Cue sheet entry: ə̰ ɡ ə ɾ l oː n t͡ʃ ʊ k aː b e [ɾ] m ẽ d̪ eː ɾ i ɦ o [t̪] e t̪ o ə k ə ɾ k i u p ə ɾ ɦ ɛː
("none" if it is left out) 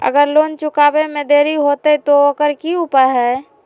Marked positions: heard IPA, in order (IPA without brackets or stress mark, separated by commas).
none, t̪